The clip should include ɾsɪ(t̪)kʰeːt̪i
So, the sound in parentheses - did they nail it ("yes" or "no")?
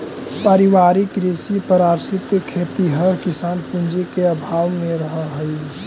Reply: yes